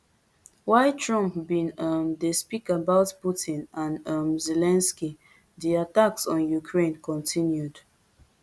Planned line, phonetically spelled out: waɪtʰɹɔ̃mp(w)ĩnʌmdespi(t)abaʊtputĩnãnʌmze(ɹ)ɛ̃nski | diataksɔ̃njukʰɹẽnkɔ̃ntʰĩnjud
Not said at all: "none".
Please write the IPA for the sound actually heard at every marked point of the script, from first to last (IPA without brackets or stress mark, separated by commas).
b, k, l